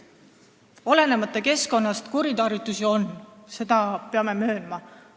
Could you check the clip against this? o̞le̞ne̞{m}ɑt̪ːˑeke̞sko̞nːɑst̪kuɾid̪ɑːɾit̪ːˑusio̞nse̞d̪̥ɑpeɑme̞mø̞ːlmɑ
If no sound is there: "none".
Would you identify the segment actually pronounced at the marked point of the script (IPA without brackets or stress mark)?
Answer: m